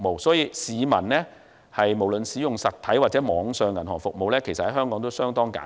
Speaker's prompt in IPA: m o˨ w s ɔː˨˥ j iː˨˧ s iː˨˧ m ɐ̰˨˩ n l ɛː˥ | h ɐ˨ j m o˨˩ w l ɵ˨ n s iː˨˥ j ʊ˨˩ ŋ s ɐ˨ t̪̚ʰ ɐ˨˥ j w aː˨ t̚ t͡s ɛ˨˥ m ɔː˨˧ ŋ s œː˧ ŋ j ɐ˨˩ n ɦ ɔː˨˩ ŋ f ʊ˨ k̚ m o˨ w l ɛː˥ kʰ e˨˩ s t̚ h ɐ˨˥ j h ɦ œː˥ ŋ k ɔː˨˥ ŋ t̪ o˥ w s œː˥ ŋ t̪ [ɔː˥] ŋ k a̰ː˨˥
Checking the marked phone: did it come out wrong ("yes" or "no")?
no